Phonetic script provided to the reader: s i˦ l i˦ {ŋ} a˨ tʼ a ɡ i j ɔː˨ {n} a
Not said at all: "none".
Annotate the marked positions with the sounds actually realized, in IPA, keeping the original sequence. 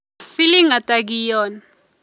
ŋ, n

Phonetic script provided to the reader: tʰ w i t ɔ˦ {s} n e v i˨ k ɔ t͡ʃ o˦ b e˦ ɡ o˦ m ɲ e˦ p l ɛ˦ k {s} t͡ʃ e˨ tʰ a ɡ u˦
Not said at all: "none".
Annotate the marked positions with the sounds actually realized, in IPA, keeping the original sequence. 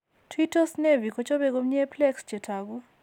s, s

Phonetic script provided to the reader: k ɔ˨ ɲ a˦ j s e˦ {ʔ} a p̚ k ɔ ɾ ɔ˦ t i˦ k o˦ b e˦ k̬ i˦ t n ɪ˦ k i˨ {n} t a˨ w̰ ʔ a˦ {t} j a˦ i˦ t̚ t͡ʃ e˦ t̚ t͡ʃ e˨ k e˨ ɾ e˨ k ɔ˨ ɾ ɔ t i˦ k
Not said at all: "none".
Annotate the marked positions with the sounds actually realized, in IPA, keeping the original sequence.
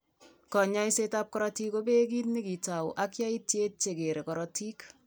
t, none, k

